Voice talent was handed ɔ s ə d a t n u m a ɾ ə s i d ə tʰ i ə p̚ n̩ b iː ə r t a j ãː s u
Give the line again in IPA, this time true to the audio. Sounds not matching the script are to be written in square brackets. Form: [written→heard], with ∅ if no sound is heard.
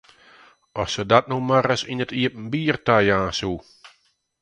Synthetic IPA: ɔ s ə d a t n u m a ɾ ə s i [d→n] ə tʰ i ə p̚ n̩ b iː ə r t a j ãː s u